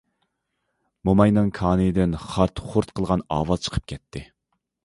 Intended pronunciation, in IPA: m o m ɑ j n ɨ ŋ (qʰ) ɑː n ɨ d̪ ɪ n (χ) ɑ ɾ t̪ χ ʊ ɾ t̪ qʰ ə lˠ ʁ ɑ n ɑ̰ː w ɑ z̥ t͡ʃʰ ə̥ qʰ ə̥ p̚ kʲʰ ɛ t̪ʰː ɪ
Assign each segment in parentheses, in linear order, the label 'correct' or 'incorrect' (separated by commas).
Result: incorrect, correct